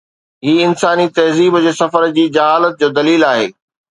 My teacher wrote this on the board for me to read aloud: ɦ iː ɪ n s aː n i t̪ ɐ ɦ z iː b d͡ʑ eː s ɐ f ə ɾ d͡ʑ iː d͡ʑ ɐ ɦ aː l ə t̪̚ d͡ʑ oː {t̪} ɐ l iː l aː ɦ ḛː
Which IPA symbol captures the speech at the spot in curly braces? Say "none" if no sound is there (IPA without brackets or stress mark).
d̪